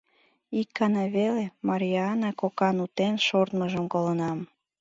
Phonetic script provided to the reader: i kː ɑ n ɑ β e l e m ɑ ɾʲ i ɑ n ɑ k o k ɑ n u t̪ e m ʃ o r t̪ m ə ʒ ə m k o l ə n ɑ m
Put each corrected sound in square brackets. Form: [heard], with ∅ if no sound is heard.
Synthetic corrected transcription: i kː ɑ n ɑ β e l e m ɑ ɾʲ i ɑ n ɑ k o k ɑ n u t̪ e [n] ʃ o r t̪ m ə ʒ ə m k o l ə n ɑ m